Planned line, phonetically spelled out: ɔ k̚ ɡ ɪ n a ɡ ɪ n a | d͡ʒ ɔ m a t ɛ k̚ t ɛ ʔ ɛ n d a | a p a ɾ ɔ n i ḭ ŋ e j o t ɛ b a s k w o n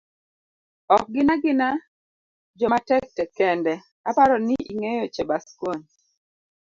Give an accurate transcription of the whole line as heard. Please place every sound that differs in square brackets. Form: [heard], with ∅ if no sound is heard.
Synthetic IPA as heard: ɔ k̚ ɡ ɪ n a ɡ ɪ n a | d͡ʒ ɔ m a t ɛ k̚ t ɛ [k] ɛ n d [ɛ] | a p a ɾ ɔ n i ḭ ŋ e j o [t͡ʃ] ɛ b a s k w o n